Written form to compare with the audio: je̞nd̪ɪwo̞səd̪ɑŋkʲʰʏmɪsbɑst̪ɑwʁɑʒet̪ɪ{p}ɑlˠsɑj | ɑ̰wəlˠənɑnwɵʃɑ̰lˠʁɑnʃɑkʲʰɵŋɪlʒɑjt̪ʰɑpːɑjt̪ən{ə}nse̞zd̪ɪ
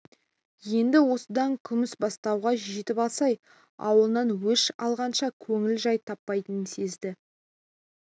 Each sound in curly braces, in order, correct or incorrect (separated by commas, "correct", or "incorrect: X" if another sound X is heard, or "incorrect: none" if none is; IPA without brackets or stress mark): correct, correct